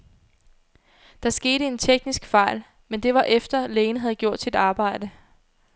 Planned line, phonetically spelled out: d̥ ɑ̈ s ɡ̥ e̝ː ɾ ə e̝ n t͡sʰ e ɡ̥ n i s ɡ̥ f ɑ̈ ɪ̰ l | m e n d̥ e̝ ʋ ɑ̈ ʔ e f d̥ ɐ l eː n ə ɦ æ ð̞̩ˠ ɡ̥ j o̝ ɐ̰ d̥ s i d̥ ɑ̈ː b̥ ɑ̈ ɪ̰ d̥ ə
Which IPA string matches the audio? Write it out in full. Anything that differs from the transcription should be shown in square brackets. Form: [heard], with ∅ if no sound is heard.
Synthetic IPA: d̥ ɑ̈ s ɡ̥ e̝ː ɾ ə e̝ n t͡sʰ e ɡ̥ n i s ɡ̥ f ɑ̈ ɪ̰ l | m e n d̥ e̝ ʋ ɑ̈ ʔ e f d̥ ɐ l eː n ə ɦ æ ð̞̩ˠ ɡ̥ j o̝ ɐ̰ d̥ s i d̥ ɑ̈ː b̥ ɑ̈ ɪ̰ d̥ ə